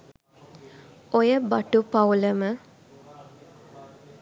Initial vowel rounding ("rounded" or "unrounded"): rounded